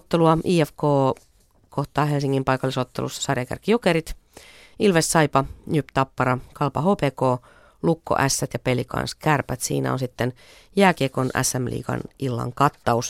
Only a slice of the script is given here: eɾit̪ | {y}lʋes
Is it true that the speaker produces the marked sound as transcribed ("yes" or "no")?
no